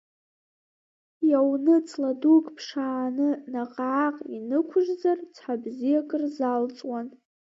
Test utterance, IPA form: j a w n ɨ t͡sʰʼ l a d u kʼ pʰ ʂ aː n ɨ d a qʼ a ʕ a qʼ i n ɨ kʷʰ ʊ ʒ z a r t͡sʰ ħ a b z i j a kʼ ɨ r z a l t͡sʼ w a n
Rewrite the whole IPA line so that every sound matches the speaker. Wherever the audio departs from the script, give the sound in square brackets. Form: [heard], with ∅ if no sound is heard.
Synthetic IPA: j a w n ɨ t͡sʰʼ l a d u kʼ pʰ ʂ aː n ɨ [n] a qʼ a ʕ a qʼ i n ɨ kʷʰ ʊ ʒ z a r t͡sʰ ħ a b z i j a kʼ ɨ r z a l t͡sʼ w a n